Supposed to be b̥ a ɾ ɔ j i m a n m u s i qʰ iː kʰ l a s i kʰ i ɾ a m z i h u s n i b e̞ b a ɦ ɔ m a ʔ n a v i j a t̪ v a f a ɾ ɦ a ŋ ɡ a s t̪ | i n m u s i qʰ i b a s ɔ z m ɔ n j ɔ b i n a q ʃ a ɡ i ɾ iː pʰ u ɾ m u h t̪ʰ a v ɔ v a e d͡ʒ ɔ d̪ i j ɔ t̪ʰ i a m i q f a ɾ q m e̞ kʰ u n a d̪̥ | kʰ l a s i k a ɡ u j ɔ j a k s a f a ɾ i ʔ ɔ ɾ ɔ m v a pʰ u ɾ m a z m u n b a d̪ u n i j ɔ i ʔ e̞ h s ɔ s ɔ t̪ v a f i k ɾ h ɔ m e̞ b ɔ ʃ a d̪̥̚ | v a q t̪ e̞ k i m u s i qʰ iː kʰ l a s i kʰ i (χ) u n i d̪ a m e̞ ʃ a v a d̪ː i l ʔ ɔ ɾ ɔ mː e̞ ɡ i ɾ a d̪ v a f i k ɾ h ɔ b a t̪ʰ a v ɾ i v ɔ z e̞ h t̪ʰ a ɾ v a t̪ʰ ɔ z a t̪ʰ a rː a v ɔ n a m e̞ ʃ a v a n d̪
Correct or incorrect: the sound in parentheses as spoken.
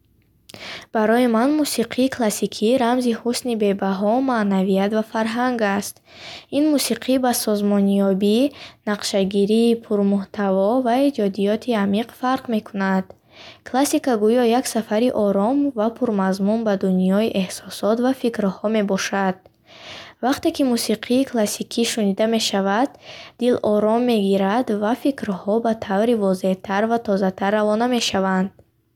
incorrect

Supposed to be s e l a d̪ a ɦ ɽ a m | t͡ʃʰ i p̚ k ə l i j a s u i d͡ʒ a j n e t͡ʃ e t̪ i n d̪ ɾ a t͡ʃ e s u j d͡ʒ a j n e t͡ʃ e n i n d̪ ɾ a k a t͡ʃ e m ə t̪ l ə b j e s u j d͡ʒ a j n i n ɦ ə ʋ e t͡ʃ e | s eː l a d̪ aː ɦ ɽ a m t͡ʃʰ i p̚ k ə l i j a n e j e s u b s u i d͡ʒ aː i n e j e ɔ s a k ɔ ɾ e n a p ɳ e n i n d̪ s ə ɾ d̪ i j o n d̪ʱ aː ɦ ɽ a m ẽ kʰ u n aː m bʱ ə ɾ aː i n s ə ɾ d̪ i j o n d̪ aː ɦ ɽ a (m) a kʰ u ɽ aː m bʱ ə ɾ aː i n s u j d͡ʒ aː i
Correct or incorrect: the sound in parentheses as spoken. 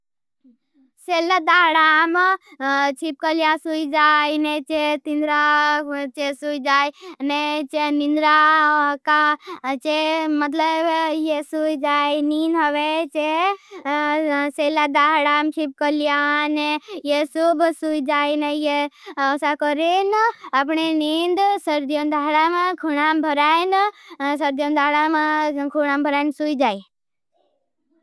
correct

